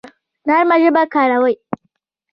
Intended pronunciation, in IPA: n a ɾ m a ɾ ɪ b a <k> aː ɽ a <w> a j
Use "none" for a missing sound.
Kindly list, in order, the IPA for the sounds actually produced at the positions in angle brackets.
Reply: k, w

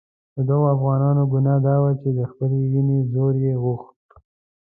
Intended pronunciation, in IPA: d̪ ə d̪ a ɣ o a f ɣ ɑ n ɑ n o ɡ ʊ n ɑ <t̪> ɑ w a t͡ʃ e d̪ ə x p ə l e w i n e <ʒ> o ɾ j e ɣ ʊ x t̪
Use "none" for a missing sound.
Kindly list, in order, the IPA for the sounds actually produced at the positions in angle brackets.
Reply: d̪, z

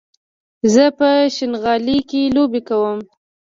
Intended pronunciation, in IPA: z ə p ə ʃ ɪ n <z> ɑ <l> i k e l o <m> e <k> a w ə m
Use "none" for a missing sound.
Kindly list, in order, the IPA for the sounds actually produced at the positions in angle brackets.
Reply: ɣ, l, b, k

